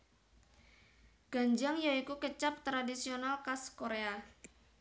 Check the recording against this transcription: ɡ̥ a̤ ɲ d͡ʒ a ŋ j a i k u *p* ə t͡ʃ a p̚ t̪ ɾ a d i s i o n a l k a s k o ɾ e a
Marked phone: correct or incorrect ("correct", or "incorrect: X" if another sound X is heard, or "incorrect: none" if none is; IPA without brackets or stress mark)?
incorrect: k